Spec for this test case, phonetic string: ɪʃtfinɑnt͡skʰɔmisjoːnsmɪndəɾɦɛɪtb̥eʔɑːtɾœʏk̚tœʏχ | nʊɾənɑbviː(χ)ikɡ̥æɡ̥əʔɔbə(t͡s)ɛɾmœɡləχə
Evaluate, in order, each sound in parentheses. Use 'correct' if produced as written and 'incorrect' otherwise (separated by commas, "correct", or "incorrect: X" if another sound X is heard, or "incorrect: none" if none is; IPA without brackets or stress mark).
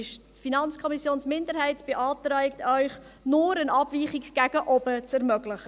correct, correct